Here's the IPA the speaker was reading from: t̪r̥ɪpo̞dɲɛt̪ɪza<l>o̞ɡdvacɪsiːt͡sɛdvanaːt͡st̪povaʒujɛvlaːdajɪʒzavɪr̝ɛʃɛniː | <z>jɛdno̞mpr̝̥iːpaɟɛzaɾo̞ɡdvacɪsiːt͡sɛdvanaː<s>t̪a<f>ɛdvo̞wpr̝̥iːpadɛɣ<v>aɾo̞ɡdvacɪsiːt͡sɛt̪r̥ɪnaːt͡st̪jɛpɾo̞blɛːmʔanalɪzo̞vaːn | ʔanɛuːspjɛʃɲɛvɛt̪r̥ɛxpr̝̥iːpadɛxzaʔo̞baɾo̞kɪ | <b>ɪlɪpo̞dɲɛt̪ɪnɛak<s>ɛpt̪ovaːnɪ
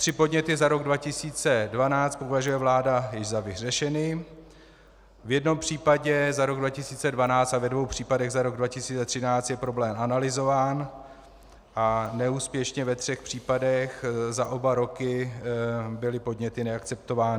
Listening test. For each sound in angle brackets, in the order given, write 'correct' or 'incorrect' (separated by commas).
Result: incorrect, incorrect, incorrect, incorrect, incorrect, correct, incorrect